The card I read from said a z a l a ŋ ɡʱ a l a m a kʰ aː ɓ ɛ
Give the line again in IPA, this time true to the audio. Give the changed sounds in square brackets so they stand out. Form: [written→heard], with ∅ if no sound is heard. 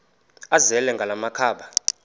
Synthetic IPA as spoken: a z [a→ɛ] l [a→ɛ] ŋ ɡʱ a l a m a kʰ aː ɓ [ɛ→a]